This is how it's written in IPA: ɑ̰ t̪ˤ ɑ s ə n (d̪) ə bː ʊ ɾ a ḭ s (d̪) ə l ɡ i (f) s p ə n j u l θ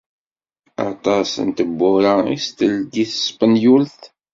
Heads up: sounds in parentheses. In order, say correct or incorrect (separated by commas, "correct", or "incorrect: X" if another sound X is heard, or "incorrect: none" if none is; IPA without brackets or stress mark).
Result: incorrect: t̪, incorrect: t̪, incorrect: θ